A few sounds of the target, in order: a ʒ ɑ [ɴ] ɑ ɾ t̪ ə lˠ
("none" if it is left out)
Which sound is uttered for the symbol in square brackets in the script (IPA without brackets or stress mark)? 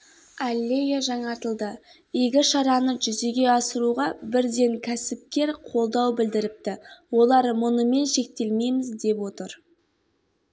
ɴ